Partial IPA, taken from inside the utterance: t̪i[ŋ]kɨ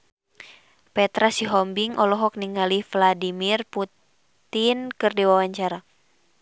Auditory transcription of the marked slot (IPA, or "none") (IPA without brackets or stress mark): n